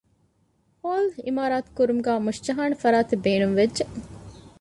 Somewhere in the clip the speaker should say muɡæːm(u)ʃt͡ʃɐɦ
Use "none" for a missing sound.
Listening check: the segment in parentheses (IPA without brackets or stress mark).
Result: u